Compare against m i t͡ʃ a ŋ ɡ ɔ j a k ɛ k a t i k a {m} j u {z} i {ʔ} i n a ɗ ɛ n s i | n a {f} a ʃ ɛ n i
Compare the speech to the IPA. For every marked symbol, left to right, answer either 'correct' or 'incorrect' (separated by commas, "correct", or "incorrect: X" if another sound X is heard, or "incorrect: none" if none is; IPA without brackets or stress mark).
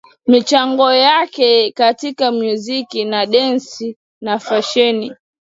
correct, correct, incorrect: k, correct